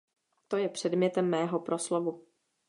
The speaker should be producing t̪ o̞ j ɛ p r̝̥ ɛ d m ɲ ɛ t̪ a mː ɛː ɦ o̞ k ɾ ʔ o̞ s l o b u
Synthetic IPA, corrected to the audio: t̪ o̞ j ɛ p r̝̥ ɛ d m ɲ ɛ t̪ ɛ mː ɛː ɦ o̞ p ɾ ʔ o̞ s l o v u